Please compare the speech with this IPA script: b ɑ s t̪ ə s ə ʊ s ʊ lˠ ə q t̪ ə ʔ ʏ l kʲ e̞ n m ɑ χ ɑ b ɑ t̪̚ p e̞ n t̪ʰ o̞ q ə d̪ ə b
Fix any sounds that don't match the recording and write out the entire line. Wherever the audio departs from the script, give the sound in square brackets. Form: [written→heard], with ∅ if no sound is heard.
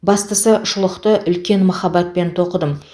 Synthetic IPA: b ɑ s t̪ ə s ə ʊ [s→ʃ] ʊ lˠ ə q t̪ ə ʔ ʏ l kʲ e̞ n m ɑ χ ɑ b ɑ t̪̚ p e̞ n t̪ʰ o̞ q ə d̪ ə [b→m]